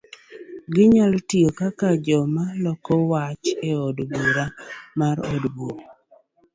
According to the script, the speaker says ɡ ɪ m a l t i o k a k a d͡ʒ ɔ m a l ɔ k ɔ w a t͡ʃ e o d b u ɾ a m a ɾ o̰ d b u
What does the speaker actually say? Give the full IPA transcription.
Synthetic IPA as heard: ɡ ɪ ɲ a l t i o k a k a d͡ʒ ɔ m a l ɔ k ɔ w a t͡ʃ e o d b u ɾ a m a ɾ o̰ d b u

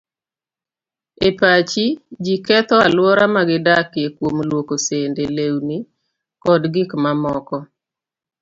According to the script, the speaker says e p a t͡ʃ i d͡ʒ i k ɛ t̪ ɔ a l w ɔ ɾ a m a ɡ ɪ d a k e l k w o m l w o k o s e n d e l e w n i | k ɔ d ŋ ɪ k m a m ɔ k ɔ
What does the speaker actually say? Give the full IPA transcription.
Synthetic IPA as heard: e p a t͡ʃ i d͡ʒ i k ɛ t̪ ɔ a l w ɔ ɾ a m a ɡ ɪ d a k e k w o m l w o k o s e n d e l e w n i | k ɔ d ɡ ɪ k m a m ɔ k ɔ

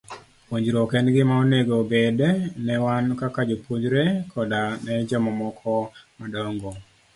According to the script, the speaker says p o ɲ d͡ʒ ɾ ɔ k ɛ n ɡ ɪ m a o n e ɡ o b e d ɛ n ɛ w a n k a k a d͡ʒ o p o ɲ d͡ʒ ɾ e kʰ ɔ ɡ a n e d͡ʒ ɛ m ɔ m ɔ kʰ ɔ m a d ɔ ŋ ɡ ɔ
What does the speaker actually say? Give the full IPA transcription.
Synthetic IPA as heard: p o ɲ d͡ʒ ɾ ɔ k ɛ n ɡ ɪ m a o n e ɡ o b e d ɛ n ɛ w a n k a k a d͡ʒ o p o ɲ d͡ʒ ɾ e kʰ ɔ d a n ɛ d͡ʒ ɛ m ɔ m ɔ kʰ ɔ m a d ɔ ŋ ɡ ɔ

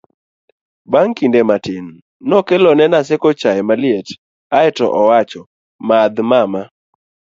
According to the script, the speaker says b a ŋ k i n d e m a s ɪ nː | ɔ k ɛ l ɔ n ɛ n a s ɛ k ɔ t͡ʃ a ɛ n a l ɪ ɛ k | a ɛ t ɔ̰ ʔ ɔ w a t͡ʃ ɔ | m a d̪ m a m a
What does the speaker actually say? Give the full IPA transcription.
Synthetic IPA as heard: b a ŋ k i n d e m a t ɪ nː | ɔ k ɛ l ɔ n ɛ n a s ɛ k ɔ t͡ʃ a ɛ m a l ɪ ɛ t | a ɛ t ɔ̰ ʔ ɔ w a t͡ʃ ɔ | m a d̪ m a m a

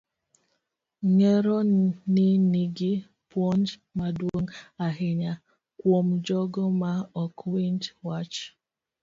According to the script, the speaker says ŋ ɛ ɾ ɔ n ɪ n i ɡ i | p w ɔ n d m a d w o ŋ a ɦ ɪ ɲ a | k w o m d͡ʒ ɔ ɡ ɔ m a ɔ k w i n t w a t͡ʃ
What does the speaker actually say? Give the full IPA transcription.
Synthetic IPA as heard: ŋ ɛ ɾ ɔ n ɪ n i ɡ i | p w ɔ n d m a d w o ŋ a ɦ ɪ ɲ a | k w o m d͡ʒ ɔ ɡ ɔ m a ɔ k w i n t w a t͡ʃ

